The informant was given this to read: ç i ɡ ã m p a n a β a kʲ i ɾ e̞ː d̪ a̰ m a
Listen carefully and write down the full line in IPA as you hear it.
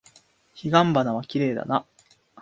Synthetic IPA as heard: ç i ɡ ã m b a n a β a kʲ i ɾ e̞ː d̪ a̰ n a